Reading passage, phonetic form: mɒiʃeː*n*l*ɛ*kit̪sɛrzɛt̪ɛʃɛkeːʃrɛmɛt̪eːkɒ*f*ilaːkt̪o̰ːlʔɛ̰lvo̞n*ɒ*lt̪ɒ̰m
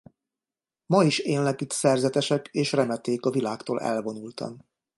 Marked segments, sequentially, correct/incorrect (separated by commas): correct, correct, incorrect, incorrect